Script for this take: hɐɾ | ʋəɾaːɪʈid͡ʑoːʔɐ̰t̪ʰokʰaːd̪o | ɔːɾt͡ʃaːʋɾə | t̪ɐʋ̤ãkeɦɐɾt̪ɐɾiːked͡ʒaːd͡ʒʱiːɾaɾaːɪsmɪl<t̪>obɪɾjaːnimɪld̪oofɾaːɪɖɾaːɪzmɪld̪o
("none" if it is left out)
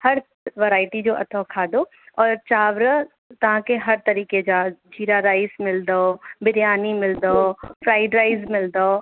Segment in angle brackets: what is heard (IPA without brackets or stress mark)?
d̪